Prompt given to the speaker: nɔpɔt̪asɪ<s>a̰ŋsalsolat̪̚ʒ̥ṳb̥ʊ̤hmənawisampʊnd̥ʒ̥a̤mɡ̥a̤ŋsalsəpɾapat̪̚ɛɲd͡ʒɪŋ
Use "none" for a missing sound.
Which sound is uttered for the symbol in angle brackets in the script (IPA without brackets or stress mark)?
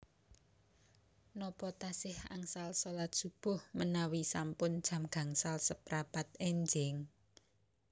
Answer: h